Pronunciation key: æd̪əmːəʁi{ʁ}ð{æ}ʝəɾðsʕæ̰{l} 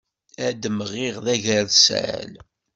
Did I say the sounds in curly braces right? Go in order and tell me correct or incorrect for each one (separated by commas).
correct, correct, correct